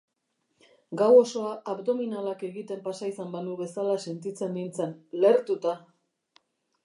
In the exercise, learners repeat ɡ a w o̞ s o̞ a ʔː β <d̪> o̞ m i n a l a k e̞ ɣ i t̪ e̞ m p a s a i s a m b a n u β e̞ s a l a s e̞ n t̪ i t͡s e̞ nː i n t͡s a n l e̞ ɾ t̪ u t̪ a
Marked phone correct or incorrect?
correct